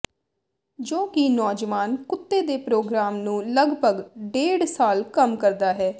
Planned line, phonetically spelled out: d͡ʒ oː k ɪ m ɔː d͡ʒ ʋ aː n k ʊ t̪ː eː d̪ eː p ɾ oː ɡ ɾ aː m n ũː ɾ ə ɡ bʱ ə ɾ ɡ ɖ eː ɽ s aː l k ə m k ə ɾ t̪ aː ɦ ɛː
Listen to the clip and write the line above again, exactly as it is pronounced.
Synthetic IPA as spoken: d͡ʒ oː k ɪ n ɔː d͡ʒ ʋ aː n k ʊ t̪ː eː d̪ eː p ɾ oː ɡ ɾ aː m n ũː l ə ɡ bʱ ə ɡ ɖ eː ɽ s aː l k ə m k ə ɾ d̪ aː ɦ ɛː